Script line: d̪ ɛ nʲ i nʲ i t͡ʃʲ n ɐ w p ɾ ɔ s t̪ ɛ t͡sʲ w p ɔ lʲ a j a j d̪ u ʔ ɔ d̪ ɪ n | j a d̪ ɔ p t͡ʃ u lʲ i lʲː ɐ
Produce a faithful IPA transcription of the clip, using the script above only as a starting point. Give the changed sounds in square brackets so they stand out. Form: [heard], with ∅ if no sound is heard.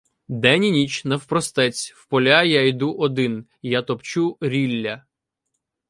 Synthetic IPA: d̪ ɛ nʲ i nʲ i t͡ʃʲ n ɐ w p ɾ ɔ s t̪ ɛ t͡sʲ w p ɔ lʲ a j a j d̪ u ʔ ɔ d̪ ɪ n | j a [t̪] ɔ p t͡ʃ u [ɾʲ] i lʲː ɐ